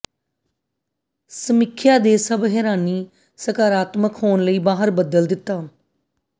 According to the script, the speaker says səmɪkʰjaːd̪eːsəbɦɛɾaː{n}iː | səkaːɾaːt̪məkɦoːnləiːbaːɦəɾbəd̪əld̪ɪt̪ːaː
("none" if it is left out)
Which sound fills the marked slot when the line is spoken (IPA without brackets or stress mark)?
n